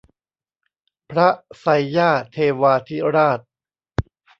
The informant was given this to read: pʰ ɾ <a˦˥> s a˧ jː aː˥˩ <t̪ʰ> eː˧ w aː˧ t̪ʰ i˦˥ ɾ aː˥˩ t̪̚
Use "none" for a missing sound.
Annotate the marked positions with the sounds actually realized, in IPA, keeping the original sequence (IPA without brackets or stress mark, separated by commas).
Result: a˦˥, t̪ʰ